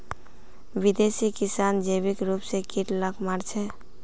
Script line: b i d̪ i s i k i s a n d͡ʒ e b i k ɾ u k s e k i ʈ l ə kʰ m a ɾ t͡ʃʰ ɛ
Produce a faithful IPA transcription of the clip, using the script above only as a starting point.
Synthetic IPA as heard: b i d̪ e s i k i s a n d͡ʒ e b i k ɾ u p s e k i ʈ l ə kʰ m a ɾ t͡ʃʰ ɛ